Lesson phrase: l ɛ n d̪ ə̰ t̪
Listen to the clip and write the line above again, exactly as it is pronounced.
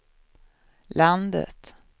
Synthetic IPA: l a n d̪ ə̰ t̪

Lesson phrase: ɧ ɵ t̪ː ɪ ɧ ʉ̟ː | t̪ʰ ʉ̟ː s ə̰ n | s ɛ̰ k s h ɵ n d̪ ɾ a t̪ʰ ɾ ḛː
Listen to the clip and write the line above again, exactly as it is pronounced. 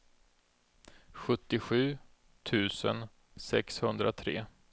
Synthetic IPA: ɧ ɵ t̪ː ɪ ɧ ʉ̟ː | t̪ʰ ʉ̟ː s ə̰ n | s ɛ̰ k s h ɵ n d̪ ɾ a t̪ʰ ɾ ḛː

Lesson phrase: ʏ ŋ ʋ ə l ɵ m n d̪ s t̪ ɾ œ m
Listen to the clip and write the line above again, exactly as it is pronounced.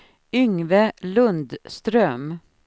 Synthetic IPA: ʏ ŋ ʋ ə l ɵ n d̪ s t̪ ɾ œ m

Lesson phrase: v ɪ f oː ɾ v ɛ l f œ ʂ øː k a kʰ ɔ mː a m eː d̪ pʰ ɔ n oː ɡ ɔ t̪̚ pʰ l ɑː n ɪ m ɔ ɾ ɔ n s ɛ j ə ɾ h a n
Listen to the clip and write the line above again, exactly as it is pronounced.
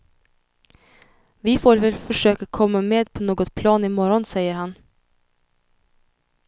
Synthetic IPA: v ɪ f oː ɾ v ɛ l f œ ʂ øː k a kʰ ɔ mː a m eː d̪ pʰ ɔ n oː ɡ ɔ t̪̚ pʰ l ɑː n ɪ m ɔ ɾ ɔ n s ɛ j ə ɾ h a n

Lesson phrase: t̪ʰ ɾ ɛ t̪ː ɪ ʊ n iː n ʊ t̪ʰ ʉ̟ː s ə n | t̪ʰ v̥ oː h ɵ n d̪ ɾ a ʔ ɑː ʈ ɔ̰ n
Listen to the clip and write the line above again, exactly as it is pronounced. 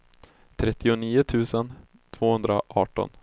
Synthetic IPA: t̪ʰ ɾ ɛ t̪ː ɪ ʊ n iː ʊ t̪ʰ ʉ̟ː s ə n | t̪ʰ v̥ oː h ɵ n d̪ ɾ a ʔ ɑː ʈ ɔ̰ n

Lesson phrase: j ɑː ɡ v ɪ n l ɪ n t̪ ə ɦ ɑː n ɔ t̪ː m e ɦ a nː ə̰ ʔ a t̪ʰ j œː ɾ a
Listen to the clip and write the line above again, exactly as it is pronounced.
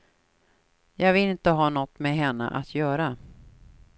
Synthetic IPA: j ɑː ɡ v ɪ l ɪ n t̪ ə ɦ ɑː n ɔ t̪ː m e ɦ ɛ nː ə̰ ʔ a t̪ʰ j œː ɾ a

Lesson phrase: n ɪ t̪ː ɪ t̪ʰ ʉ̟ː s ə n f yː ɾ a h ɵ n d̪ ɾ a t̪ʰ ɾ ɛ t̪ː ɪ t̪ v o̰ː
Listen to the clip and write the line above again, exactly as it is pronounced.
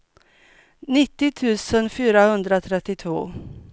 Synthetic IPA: n ɪ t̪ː ɪ t̪ʰ ʉ̟ː s ə n f yː ɾ a h ɵ n d̪ ɾ a t̪ʰ ɾ ɛ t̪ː ɪ t̪ʰ v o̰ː

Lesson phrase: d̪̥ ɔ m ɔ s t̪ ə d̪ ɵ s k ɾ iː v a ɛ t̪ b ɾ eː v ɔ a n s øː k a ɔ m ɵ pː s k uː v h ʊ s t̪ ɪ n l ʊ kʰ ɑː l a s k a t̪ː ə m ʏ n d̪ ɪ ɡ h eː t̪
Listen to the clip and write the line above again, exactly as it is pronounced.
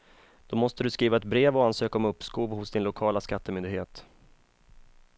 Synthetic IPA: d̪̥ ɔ m ɔ s t̪ ə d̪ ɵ s k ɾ iː v a ɛ t̪ b ɾ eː v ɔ a n s øː k a ɔ m ɵ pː s k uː v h ʊ s d̪ ɪ n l ʊ kʰ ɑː l a s k a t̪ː ə m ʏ n d̪ ɪ ɡ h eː t̪

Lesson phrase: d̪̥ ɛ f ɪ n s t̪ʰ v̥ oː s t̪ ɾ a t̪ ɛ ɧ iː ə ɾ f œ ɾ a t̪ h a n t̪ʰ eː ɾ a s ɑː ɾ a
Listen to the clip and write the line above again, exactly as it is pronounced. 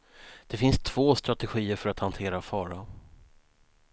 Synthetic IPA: d̪̥ ɛ f ɪ n s t̪ʰ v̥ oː s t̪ ɾ a t̪ ɛ ɧ iː ə ɾ f œ ɾ a t̪ h a n t̪ʰ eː ɾ a f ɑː ɾ a

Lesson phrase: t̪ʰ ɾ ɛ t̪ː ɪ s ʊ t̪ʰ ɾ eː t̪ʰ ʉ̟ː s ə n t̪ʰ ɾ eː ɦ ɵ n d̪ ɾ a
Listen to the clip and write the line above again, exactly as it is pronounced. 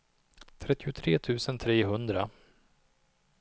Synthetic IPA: t̪ʰ ɾ ɛ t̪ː ɪ ʊ t̪ʰ ɾ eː t̪ʰ ʉ̟ː s ə n t̪ʰ ɾ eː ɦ ɵ n d̪ ɾ a

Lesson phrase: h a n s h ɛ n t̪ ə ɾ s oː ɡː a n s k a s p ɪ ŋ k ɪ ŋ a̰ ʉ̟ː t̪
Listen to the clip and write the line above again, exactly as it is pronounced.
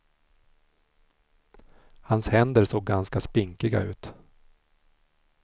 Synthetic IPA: h a n s h ɛ n d̪ ə ɾ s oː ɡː a n s k a s p ɪ ŋ k ɪ ɡ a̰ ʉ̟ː t̪

